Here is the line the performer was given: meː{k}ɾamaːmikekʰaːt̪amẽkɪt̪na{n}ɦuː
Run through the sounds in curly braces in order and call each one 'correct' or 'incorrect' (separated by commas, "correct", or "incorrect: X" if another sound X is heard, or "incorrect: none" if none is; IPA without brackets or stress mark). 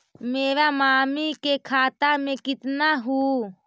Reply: incorrect: none, incorrect: none